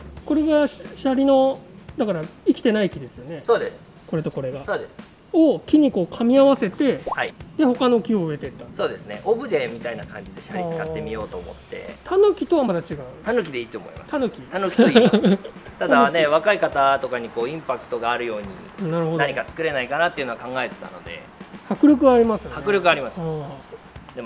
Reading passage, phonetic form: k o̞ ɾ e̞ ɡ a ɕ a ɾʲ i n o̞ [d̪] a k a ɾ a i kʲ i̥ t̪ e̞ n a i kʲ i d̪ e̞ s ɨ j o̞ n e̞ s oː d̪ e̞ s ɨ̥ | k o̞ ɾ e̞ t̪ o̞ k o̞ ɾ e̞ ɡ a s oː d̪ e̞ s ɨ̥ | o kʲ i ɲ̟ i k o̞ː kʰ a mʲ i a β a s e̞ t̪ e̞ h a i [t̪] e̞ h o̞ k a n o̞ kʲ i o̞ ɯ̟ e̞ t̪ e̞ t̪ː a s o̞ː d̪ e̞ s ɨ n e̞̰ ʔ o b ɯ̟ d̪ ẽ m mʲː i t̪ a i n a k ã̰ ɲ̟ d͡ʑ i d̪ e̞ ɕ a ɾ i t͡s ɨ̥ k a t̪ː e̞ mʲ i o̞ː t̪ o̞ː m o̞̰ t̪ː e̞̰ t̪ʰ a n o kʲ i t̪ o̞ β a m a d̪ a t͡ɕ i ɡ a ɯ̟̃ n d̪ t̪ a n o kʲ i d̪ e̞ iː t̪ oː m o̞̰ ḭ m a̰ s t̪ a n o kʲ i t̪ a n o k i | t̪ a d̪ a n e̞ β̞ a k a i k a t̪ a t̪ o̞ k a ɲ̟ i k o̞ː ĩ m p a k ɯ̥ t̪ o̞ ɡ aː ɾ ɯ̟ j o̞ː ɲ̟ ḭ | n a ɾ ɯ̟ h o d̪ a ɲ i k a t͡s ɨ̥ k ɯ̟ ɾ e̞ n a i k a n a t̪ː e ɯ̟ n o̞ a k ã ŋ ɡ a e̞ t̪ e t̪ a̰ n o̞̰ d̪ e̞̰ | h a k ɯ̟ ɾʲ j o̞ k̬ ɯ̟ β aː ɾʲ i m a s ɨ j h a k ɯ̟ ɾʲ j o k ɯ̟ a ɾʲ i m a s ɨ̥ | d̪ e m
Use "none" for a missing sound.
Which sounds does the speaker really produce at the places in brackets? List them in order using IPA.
d̪, d̪

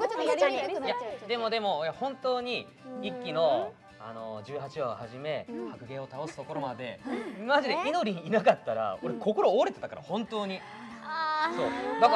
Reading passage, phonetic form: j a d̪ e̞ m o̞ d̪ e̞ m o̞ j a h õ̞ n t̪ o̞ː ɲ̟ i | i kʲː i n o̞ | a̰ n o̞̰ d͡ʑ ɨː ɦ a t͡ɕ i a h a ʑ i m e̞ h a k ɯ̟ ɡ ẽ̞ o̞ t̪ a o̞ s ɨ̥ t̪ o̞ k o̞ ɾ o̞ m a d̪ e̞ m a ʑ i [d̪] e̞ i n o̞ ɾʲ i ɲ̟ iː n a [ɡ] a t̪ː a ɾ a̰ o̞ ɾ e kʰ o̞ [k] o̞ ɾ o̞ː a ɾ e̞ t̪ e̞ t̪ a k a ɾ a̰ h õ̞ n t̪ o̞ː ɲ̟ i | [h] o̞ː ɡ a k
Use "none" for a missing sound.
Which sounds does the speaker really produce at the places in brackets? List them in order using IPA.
d̪, k, k, s

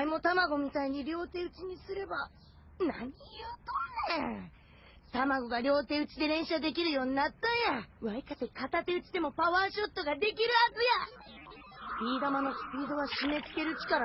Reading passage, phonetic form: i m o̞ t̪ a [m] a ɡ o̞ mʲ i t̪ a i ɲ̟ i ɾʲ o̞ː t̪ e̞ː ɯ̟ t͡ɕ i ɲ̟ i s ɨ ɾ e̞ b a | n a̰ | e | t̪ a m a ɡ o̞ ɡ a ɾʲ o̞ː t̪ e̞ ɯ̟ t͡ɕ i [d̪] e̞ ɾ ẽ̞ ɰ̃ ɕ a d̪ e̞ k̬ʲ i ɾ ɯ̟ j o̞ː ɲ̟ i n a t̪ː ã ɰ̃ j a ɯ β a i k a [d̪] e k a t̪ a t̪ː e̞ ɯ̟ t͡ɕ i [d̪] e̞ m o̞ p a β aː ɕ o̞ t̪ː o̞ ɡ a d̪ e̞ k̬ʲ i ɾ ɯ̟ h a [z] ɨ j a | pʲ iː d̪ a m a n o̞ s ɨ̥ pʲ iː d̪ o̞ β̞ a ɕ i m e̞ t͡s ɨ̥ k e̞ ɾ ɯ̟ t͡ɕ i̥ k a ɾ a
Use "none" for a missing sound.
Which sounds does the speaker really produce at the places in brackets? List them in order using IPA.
m, d̪, t̪, d̪, z

